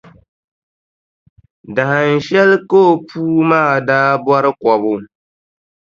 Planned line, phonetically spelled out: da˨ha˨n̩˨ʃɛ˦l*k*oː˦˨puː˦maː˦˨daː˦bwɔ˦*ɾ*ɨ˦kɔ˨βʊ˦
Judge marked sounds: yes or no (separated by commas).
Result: yes, yes